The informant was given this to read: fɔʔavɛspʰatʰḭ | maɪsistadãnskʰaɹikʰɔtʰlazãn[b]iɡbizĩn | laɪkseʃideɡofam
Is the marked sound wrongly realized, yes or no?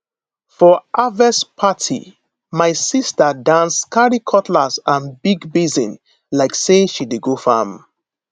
no